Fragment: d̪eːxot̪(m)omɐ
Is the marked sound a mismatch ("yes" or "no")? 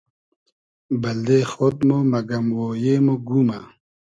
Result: no